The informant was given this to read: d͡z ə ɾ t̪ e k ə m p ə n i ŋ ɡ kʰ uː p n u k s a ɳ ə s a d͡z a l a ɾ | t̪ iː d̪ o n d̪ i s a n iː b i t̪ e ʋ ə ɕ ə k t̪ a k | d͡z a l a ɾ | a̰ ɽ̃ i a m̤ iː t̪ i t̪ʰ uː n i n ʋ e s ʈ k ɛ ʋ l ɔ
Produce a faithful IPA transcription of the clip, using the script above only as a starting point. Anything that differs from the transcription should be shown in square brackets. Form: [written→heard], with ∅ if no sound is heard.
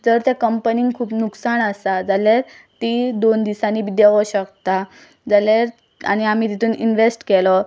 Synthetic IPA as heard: d͡z ə ɾ t̪ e k ə m p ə n i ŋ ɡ kʰ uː p n u k s a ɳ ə s a d͡z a l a ɾ | t̪ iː d̪ o n d̪ i s a n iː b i [t̪→d̪] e ʋ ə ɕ ə k t̪ a [k→∅] | d͡z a l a ɾ | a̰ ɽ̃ i a m̤ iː t̪ i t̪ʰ uː n i n ʋ e s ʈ k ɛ [ʋ→∅] l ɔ